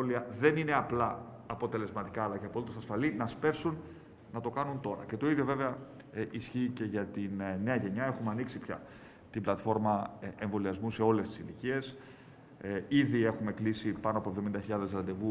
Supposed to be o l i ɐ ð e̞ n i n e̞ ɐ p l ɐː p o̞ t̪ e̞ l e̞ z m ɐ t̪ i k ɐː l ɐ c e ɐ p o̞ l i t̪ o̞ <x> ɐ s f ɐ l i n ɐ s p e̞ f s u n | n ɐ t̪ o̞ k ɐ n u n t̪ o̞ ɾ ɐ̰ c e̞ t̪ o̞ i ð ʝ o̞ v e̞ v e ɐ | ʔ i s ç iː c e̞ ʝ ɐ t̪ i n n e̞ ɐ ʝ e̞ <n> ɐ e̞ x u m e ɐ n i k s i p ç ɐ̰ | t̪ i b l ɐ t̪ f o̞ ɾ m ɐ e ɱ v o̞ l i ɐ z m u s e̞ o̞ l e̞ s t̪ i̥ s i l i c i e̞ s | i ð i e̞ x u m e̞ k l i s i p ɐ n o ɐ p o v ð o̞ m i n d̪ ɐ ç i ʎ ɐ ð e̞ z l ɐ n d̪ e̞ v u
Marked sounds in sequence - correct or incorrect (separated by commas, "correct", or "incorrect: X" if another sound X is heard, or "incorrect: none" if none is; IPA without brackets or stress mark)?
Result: incorrect: s, incorrect: ɲ